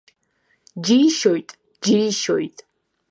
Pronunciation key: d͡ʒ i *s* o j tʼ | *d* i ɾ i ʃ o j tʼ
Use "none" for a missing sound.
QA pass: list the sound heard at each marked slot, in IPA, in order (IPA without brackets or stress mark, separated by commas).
ʃ, d͡ʒ